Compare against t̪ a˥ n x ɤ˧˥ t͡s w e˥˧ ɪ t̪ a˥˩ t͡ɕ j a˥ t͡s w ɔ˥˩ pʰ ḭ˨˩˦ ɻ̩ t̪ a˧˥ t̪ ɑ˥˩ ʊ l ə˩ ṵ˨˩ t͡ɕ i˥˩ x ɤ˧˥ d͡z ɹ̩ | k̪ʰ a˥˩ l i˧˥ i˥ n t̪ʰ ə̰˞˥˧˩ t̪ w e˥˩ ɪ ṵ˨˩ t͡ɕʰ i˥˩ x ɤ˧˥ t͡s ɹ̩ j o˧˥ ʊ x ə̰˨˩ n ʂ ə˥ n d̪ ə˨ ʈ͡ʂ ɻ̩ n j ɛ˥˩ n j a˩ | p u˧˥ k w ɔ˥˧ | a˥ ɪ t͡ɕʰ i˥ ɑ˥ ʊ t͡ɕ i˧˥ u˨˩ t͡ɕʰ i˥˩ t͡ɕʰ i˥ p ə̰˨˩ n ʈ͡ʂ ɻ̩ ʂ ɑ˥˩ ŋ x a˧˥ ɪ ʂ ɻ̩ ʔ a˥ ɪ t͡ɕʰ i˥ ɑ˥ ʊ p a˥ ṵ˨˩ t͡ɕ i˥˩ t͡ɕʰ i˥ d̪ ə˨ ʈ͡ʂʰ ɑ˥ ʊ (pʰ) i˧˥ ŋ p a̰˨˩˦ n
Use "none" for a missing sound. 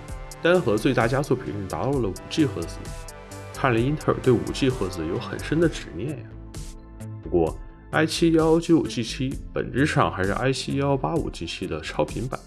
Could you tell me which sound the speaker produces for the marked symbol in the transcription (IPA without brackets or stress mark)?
pʰ